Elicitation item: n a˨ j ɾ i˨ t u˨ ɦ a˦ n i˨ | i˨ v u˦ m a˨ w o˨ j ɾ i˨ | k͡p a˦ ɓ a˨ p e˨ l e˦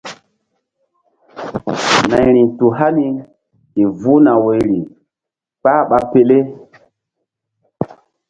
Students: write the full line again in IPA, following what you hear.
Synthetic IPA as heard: n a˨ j ɾ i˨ t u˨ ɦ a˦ n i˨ | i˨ v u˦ n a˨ w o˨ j ɾ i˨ | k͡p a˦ ɓ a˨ p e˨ l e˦